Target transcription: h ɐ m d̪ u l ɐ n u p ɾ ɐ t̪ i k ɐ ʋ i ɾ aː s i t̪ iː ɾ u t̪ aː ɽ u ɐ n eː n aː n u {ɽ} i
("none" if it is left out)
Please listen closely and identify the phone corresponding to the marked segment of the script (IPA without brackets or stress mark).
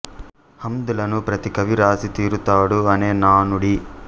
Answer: ɽ